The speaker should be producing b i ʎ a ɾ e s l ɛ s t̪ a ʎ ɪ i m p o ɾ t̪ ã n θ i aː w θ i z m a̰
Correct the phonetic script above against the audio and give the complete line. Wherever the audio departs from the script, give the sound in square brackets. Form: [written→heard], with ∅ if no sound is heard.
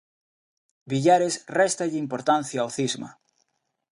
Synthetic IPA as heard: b i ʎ a ɾ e s [l→r] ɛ s t̪ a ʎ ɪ i m p o ɾ t̪ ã n θ [i→j] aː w θ i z m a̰